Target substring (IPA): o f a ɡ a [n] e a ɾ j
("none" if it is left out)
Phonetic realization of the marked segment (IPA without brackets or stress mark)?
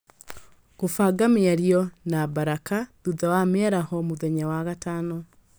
m